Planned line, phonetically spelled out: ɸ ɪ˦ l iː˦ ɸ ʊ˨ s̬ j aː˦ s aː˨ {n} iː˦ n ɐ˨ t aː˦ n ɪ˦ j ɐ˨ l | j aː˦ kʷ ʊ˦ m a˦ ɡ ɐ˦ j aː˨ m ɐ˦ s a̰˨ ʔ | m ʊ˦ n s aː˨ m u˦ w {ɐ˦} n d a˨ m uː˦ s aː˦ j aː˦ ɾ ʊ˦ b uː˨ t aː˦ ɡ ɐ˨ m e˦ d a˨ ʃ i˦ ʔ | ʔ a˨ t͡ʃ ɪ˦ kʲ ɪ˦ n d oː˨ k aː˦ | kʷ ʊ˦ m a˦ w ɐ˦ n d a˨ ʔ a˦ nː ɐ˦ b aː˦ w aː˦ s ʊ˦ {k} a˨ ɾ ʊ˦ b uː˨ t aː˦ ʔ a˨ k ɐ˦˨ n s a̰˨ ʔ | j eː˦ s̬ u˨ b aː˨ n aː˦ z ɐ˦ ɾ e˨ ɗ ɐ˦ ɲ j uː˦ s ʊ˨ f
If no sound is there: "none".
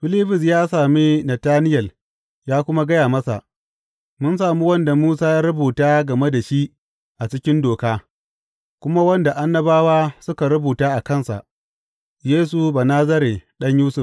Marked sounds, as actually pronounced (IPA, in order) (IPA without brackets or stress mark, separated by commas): m, ɐ˦, k